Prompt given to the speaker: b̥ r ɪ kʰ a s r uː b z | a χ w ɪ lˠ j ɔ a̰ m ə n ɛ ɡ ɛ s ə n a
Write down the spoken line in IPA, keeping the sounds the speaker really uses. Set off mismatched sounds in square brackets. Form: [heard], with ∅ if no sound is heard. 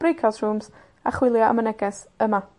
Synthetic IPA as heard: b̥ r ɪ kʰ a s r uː [m] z | a χ w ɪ lˠ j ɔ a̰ m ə n ɛ ɡ ɛ s ə [m] a